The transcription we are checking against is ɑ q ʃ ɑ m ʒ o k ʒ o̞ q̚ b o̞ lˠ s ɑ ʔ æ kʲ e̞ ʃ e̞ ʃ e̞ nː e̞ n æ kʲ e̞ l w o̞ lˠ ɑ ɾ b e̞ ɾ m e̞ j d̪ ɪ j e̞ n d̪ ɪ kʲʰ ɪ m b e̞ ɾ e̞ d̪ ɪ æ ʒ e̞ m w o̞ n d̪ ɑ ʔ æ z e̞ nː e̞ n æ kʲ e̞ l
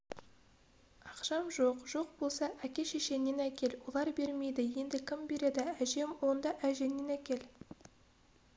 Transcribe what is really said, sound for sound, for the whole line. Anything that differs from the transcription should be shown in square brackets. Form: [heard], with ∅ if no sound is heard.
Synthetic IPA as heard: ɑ q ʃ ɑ m ʒ o [q] ʒ o̞ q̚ b o̞ lˠ s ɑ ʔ æ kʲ e̞ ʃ e̞ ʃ e̞ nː e̞ n æ kʲ e̞ l w o̞ lˠ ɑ ɾ b e̞ ɾ m e̞ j d̪ ɪ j e̞ n d̪ ɪ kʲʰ ɪ m b e̞ ɾ e̞ d̪ ɪ æ ʒ e̞ m w o̞ n d̪ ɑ ʔ æ [ʒ] e̞ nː e̞ n æ kʲ e̞ l